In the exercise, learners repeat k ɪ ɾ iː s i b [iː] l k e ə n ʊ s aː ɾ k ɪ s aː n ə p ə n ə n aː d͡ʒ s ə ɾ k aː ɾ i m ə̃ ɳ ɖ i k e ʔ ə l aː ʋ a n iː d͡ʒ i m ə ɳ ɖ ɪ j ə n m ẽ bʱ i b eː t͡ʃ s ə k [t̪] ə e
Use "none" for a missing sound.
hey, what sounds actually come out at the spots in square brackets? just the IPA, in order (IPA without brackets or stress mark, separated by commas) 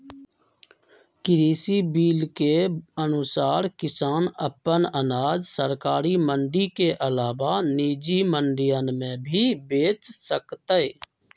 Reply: iː, t̪